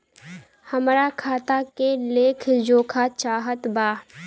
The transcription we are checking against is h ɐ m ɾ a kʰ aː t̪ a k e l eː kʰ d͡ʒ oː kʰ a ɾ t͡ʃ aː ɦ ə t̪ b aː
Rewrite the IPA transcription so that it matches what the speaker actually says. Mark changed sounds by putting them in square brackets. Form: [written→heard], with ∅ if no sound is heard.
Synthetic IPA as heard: h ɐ m ɾ a kʰ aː t̪ a k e l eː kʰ d͡ʒ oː kʰ a [ɾ→∅] t͡ʃ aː ɦ ə t̪ b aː